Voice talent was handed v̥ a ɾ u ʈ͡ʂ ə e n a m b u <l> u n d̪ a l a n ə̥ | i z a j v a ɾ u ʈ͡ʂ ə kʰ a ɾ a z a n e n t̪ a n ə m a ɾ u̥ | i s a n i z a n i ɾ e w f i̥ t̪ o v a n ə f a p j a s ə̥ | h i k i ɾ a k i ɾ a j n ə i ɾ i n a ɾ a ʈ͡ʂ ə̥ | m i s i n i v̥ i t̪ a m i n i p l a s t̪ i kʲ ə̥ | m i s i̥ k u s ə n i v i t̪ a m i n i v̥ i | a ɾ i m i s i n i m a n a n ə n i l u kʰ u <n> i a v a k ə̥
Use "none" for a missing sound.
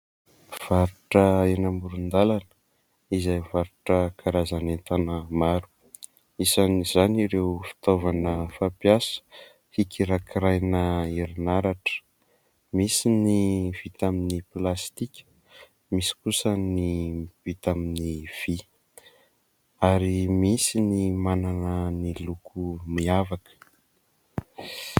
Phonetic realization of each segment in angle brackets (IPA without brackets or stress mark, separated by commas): ɾ, m